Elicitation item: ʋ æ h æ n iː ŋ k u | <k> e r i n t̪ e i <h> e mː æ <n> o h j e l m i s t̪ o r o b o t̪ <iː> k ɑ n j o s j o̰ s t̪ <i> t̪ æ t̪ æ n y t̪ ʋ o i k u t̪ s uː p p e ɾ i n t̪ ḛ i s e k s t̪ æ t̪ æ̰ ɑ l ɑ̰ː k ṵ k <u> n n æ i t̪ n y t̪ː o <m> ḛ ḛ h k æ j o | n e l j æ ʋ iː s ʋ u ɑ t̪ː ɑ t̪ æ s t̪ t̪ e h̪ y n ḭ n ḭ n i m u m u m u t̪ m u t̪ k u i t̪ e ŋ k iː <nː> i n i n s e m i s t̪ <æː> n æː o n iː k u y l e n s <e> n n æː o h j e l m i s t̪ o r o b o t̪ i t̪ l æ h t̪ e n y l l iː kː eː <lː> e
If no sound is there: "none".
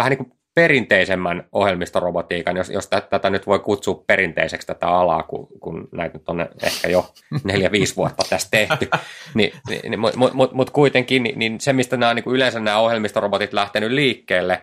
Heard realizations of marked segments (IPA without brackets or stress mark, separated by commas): p, s, n, iː, æ, u, n, n, æ, æ, lː